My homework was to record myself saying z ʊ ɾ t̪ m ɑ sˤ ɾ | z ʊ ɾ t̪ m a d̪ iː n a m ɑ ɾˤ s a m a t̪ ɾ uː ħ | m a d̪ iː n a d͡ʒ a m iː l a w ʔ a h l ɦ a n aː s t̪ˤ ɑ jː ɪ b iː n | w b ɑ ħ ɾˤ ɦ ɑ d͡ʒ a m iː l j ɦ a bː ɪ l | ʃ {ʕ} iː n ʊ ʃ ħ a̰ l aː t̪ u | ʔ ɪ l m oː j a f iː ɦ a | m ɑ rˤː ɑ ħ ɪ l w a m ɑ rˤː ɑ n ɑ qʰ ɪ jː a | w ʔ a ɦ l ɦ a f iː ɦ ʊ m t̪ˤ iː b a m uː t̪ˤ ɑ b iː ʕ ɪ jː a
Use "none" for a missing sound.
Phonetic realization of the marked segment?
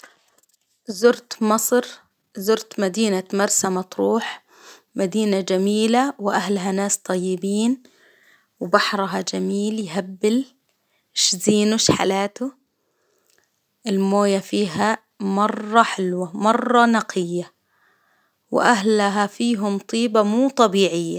z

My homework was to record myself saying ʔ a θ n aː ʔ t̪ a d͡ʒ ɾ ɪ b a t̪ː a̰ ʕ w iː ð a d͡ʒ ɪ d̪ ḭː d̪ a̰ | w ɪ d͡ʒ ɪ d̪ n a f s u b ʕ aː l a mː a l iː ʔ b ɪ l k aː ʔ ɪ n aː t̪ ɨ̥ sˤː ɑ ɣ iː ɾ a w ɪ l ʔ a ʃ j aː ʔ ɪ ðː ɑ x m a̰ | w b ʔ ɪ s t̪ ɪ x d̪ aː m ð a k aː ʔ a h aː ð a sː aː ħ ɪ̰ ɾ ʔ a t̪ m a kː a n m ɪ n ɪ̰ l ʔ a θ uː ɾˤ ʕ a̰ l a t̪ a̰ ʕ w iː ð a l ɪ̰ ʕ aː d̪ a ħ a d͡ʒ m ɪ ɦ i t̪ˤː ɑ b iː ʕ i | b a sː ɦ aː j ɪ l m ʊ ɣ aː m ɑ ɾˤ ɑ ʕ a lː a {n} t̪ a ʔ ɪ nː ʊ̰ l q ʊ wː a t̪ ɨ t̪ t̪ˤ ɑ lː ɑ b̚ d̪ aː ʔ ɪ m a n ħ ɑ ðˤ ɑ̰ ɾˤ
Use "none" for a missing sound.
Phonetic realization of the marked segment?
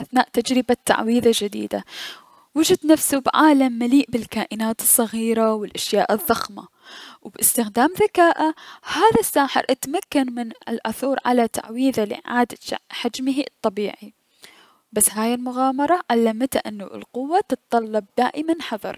m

